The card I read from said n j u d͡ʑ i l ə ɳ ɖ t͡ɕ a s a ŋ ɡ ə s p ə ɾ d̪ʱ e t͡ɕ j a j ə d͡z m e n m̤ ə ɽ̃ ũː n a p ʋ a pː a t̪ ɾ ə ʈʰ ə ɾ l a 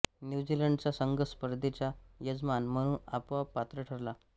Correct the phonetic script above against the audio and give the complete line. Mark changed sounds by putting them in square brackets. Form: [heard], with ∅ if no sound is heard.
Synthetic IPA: n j u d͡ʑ i l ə ɳ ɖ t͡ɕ a s [ə] ŋ ɡ ə s p ə ɾ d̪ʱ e t͡ɕ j a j ə d͡z m [a] n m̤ ə ɽ̃ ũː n a p ʋ a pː a t̪ ɾ ə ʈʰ ə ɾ l a